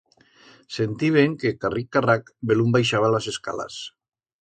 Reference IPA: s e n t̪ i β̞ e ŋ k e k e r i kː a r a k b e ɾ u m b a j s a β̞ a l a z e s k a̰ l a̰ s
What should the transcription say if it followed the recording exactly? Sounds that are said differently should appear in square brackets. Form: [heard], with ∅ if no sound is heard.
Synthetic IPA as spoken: s e n t̪ i β̞ e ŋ k e k [a] r i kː a r a k b e [l] u m b a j [ʃ] a β̞ a l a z e s k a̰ l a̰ s